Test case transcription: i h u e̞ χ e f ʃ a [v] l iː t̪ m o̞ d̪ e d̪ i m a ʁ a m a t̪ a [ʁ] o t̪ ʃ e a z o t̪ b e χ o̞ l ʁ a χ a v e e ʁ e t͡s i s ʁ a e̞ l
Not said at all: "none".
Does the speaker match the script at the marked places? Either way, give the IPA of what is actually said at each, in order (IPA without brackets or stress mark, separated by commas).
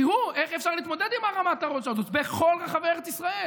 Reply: ʁ, ʁ